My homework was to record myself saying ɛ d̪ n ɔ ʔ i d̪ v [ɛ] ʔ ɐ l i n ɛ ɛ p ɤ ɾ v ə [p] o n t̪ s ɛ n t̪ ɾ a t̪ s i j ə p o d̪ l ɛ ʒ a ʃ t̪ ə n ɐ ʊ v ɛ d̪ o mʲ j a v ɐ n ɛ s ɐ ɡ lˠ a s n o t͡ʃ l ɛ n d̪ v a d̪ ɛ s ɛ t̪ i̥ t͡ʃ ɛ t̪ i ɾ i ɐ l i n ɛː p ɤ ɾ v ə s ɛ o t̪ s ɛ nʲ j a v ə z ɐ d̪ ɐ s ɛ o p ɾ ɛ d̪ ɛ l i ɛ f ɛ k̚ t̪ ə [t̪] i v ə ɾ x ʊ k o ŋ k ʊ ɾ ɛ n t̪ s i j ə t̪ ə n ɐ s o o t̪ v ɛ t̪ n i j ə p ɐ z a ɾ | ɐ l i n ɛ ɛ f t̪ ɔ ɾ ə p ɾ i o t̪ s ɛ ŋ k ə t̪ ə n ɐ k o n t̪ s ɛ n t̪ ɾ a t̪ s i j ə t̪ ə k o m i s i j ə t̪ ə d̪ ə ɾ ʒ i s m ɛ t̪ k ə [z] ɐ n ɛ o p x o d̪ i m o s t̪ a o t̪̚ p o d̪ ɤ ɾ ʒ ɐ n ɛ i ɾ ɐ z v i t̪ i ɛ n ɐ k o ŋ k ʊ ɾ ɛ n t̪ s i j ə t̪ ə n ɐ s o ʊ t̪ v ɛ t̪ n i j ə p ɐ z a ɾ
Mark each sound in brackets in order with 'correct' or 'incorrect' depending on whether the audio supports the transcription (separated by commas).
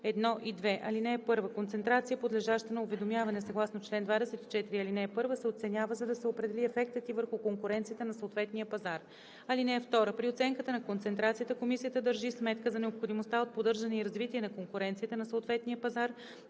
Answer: correct, incorrect, correct, correct